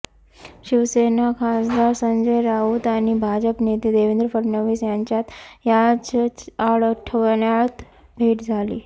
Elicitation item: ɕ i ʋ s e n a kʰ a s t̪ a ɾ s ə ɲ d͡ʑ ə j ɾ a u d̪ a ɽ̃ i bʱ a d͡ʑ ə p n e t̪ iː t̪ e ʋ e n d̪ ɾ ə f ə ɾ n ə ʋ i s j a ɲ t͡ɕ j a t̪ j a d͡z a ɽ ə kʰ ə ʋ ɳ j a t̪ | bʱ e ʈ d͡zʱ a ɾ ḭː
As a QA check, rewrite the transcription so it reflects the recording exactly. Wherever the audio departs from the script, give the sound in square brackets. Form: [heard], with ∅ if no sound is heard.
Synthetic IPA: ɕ i ʋ s e n a kʰ a s [d̪] a ɾ s ə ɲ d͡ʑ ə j ɾ a u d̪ a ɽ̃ i bʱ a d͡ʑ ə p n e t̪ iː [d̪] e ʋ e n d̪ ɾ ə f ə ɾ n ə ʋ i s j a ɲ t͡ɕ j a t̪ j a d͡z a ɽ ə [ʈʰ] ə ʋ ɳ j a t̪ | bʱ e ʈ d͡zʱ a [l] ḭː